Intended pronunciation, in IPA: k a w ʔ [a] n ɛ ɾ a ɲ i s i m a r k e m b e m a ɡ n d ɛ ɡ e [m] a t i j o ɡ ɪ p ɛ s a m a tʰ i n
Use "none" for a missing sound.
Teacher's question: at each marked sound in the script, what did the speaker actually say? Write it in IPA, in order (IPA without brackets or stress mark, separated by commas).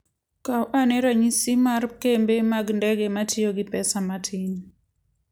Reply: a, m